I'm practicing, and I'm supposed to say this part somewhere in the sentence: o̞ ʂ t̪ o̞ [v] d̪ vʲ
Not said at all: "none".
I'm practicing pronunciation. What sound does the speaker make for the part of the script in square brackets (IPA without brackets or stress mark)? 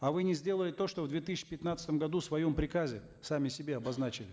v